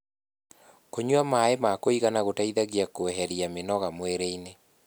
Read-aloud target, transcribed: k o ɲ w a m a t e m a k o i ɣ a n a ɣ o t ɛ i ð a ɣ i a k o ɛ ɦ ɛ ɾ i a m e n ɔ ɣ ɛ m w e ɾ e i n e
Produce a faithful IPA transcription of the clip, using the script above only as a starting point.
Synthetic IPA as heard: k o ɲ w a m a e m a k o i ɣ a n a ɣ o t a i ð a ɣ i a k o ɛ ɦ ɛ ɾ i a m e n ɔ ɣ a m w e ɾ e i n e